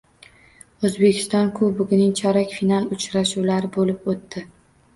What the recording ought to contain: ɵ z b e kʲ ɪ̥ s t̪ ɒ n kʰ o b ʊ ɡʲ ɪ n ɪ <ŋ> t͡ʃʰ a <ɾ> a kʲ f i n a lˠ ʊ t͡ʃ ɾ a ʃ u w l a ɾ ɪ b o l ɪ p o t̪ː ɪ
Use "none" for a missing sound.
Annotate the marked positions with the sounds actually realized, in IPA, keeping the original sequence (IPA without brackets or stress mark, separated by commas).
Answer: ŋ, ɾ